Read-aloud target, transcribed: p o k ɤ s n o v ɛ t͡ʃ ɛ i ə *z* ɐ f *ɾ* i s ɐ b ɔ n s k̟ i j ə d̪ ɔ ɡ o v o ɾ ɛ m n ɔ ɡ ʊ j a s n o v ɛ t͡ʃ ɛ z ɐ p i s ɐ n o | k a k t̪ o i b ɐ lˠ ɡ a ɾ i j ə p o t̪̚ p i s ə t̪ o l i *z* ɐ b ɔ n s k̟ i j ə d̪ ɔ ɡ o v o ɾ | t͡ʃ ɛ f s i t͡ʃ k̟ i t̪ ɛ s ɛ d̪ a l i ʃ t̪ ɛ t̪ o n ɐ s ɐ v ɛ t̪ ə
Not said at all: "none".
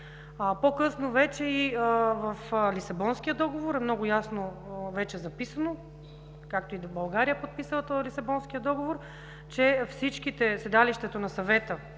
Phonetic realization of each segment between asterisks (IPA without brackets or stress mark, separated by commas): v, l, s